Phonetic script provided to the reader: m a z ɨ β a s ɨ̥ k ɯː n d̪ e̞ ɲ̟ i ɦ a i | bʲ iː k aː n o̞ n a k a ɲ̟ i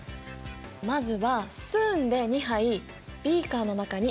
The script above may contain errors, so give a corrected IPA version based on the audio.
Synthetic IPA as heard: m a z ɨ β a s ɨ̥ p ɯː n d̪ e̞ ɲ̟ i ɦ a i | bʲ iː k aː n o̞ n a k a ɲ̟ i